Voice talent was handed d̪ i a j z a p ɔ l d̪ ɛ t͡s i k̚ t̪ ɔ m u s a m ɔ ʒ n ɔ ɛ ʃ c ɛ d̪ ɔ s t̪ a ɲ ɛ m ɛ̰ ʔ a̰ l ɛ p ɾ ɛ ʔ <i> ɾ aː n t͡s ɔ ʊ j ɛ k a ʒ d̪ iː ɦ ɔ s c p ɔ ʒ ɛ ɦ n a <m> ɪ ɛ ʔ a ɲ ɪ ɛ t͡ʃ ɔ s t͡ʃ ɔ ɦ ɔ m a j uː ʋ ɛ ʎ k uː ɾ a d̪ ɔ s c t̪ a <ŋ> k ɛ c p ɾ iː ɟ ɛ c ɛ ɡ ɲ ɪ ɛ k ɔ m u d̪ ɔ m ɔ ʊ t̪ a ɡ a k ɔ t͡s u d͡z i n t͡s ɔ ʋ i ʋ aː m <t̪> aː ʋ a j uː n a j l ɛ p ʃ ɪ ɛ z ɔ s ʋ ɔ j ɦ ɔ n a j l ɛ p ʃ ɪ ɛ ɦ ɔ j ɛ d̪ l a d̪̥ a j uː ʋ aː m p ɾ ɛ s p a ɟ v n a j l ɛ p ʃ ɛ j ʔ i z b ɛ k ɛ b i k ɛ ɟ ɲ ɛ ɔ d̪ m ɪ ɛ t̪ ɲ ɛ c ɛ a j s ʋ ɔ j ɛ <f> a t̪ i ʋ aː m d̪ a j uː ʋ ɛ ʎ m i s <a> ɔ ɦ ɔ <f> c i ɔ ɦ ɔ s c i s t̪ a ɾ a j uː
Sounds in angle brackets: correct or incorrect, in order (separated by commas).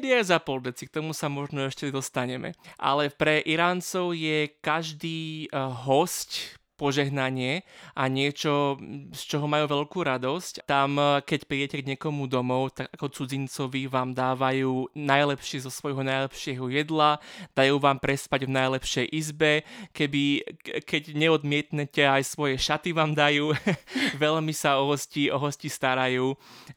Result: correct, incorrect, incorrect, incorrect, incorrect, correct, incorrect